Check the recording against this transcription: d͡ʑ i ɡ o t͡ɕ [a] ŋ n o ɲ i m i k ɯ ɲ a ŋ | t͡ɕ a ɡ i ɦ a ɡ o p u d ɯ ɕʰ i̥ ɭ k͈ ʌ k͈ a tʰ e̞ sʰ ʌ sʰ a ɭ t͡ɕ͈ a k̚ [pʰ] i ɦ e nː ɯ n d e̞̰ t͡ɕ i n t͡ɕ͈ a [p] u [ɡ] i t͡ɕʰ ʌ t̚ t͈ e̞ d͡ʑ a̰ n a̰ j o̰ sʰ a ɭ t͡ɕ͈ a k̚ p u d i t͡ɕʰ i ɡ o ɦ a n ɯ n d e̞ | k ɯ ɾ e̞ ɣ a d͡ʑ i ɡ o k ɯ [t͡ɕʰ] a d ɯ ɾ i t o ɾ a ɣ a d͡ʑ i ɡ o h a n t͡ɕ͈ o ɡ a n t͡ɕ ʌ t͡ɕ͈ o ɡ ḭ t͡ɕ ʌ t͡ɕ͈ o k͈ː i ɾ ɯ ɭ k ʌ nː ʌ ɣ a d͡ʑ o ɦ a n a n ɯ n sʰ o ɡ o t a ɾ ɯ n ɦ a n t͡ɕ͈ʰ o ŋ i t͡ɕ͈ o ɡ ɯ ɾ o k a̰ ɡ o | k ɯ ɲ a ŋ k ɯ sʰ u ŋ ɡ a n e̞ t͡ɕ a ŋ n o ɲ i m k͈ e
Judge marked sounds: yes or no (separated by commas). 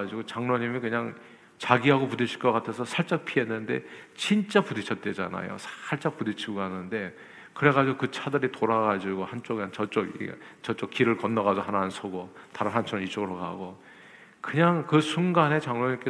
yes, yes, yes, no, yes